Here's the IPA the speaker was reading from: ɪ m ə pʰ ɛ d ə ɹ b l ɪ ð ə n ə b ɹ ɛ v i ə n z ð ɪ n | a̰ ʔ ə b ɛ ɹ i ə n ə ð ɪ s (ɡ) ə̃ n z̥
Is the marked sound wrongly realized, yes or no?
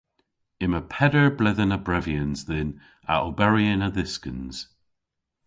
yes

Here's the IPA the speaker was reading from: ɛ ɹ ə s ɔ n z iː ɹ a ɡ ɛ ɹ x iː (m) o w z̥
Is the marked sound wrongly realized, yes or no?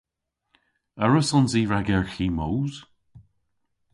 no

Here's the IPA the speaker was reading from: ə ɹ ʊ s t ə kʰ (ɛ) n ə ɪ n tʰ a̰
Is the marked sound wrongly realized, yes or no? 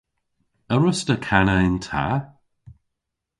yes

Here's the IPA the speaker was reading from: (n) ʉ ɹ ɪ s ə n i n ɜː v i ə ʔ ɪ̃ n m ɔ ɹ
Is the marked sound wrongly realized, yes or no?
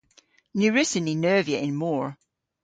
no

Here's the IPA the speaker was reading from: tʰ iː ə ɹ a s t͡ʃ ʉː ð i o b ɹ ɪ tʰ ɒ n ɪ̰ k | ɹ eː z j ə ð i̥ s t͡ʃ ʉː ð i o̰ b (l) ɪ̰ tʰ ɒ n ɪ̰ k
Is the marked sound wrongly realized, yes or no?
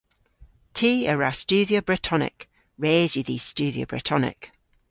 yes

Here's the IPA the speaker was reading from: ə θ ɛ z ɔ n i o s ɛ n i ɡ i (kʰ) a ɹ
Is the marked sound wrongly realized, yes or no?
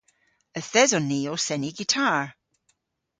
yes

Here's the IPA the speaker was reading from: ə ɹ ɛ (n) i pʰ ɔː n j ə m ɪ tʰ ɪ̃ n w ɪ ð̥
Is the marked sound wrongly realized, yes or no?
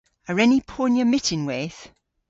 no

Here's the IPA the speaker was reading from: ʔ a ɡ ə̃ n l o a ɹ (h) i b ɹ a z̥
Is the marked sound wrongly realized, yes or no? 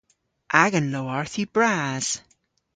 yes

